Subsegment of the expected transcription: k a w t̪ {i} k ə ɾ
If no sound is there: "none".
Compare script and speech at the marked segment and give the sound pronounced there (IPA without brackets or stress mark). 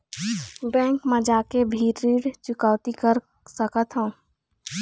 i